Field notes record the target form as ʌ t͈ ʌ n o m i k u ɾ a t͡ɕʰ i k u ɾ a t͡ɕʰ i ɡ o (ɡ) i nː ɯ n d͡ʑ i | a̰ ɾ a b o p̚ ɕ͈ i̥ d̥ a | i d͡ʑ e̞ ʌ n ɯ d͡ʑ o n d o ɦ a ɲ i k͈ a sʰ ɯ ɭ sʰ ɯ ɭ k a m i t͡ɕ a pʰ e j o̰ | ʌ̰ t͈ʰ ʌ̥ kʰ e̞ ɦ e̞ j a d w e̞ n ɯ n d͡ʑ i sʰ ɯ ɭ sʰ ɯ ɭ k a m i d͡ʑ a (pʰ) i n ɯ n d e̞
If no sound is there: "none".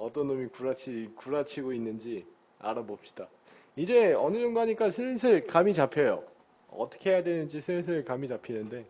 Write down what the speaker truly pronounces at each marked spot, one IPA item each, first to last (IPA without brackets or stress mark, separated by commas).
none, pʰ